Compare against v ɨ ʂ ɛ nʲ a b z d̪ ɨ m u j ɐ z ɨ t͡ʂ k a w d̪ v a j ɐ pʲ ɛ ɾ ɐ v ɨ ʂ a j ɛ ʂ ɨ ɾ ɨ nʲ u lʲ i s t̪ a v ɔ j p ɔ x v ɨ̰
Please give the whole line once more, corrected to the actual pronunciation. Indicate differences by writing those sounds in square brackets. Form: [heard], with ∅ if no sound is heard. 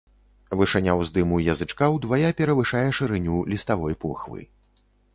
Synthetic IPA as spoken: v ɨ ʂ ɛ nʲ a [w] z d̪ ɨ m u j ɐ z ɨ t͡ʂ k a w d̪ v a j [a] pʲ ɛ ɾ ɐ v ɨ ʂ a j ɛ ʂ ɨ ɾ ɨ nʲ u lʲ i s t̪ a v ɔ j p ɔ x v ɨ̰